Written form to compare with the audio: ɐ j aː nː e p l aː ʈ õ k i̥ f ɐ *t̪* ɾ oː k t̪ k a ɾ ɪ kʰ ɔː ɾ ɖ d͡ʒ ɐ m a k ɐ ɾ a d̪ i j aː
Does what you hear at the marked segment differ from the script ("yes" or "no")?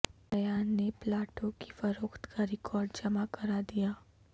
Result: yes